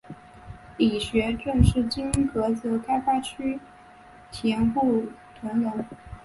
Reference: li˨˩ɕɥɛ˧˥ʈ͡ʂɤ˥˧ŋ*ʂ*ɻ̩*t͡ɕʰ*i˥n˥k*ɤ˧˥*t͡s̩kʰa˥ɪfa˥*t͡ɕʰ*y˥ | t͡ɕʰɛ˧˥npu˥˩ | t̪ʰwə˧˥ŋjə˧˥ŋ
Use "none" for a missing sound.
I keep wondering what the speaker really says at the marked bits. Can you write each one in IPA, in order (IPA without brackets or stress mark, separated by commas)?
ʂ, t͡ɕ, ɤ˧˥, t͡ɕʰ